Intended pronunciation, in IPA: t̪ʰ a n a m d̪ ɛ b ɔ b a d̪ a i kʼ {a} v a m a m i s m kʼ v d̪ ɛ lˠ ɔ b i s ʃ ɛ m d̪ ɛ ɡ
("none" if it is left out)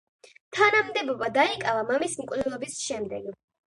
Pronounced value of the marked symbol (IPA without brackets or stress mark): a